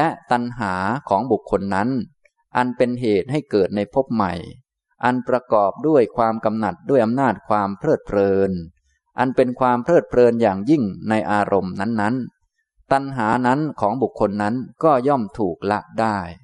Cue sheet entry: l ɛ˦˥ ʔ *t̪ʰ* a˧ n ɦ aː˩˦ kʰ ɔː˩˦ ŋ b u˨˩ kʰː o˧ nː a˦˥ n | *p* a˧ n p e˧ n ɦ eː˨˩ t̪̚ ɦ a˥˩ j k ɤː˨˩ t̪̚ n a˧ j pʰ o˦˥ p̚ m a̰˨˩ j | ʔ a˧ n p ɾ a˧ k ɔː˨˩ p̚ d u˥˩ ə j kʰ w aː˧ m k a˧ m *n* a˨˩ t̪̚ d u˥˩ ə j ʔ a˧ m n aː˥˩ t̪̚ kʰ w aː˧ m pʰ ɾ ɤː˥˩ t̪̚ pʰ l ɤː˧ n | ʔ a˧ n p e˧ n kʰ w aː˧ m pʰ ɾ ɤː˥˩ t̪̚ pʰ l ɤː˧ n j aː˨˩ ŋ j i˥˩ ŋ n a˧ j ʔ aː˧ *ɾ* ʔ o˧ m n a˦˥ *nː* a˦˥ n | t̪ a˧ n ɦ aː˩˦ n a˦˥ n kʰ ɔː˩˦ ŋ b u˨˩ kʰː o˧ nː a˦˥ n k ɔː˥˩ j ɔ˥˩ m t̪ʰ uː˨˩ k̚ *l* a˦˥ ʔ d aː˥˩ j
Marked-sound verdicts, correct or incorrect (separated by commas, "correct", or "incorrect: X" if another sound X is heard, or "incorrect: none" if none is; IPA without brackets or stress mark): incorrect: t̪, incorrect: ʔ, correct, correct, correct, correct